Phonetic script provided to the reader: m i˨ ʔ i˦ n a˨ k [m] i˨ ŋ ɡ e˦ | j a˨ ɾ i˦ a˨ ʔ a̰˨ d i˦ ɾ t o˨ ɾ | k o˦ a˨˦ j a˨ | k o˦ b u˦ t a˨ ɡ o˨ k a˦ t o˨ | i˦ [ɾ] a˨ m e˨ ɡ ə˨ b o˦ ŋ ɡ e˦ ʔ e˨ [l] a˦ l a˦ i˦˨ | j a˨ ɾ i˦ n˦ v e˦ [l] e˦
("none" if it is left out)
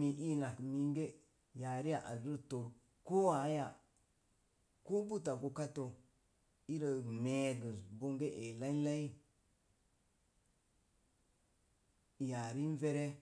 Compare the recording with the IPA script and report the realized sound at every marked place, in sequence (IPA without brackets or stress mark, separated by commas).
m, ɾ, l, ɾ